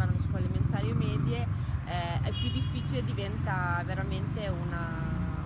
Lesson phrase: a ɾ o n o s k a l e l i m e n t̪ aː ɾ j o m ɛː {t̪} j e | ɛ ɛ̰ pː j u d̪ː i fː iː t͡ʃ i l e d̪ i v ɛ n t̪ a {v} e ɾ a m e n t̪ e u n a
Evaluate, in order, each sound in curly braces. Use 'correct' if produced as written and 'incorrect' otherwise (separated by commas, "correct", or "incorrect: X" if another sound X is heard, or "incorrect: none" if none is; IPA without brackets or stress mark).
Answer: incorrect: d̪, correct